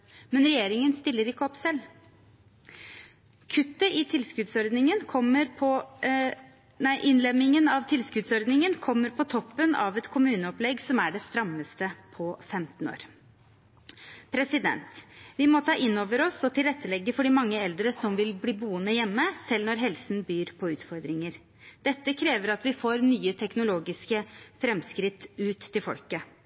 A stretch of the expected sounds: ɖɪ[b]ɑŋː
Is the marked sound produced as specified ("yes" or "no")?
no